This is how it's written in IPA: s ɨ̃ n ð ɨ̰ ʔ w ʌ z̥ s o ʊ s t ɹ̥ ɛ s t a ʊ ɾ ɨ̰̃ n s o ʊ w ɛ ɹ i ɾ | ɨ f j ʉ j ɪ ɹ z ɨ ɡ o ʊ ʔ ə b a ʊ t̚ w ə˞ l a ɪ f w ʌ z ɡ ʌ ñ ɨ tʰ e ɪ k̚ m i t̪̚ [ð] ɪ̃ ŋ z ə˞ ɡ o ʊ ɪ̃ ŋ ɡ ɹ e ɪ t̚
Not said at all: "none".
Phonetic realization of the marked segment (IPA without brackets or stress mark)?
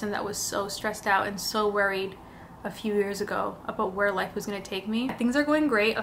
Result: θ